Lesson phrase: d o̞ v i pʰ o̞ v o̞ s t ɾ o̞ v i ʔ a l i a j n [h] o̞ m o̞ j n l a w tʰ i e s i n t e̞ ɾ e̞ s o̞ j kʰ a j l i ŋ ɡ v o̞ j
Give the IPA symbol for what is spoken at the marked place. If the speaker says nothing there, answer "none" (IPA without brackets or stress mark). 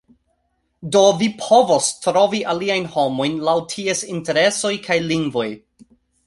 h